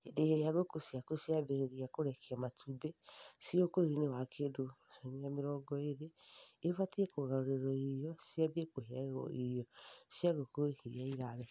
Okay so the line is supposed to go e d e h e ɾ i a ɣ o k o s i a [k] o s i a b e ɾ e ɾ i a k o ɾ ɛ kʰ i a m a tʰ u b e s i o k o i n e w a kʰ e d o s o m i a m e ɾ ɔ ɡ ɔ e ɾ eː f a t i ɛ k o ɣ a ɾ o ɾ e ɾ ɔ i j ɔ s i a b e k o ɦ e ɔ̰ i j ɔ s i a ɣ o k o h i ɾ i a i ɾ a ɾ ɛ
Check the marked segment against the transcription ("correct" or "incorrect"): correct